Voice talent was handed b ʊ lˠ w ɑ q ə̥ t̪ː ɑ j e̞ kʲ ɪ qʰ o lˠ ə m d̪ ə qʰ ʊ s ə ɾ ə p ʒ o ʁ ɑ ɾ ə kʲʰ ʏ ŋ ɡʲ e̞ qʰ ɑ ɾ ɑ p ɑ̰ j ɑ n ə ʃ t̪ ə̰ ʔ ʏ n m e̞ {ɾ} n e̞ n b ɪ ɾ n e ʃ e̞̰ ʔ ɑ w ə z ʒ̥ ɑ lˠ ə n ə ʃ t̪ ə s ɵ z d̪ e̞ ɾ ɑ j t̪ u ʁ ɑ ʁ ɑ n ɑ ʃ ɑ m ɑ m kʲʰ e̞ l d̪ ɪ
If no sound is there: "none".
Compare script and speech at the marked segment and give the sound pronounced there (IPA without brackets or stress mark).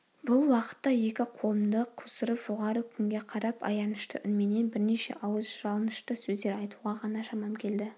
none